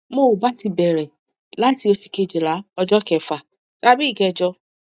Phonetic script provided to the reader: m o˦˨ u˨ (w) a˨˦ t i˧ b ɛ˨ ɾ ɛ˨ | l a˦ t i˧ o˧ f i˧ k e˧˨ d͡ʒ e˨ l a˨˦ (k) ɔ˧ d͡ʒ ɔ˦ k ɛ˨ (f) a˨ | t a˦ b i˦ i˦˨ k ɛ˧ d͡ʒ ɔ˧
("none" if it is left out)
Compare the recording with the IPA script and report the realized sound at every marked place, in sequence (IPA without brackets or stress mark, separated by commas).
b, none, f